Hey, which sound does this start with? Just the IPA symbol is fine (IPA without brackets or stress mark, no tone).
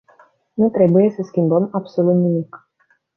n